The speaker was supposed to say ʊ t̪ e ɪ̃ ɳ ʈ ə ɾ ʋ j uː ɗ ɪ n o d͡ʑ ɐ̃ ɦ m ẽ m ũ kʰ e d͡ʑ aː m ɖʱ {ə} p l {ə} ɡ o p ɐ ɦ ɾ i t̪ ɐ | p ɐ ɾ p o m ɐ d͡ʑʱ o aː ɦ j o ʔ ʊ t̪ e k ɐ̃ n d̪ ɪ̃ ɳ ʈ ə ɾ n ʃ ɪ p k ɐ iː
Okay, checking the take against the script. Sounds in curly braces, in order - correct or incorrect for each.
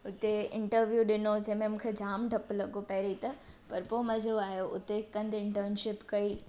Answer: incorrect: ɐ, incorrect: ɐ

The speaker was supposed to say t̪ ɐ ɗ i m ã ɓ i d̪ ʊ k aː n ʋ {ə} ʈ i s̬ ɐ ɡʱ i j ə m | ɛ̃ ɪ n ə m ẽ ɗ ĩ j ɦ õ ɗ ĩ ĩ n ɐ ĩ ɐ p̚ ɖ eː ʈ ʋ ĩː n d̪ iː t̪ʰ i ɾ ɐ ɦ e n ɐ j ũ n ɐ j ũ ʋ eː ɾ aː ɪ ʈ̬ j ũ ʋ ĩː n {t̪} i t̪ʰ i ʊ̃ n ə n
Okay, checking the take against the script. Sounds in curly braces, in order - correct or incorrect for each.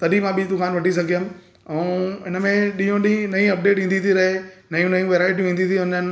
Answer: incorrect: ɐ, incorrect: d̪

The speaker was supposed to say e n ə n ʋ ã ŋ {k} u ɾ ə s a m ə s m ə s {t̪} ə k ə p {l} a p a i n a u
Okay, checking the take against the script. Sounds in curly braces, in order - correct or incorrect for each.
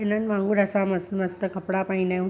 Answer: incorrect: ɡ, correct, incorrect: ɽ

